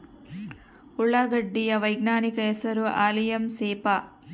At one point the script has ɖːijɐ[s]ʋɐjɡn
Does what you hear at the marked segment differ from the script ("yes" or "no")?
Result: yes